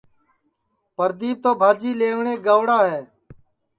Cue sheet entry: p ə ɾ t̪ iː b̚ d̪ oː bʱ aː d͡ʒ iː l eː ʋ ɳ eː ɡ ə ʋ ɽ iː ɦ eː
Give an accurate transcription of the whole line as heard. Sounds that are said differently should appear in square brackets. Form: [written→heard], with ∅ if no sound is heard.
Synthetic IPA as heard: p ə ɾ [t̪→d̪] iː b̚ [d̪→t̪] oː bʱ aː d͡ʒ iː l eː ʋ ɳ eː ɡ ə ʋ ɽ [iː→aː] ɦ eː